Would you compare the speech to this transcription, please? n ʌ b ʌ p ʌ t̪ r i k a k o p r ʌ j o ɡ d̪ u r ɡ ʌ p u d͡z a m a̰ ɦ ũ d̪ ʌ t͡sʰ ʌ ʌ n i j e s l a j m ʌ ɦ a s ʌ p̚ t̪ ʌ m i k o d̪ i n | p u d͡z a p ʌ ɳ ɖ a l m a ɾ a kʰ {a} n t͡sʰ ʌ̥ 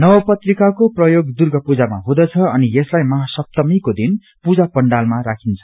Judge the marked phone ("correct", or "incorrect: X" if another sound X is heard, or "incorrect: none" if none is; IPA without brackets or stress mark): incorrect: i